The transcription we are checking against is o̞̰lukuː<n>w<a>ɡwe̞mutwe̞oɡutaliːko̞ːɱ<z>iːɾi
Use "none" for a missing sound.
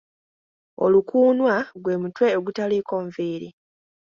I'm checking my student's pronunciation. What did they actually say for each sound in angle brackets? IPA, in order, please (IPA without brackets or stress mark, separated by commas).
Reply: n, a, v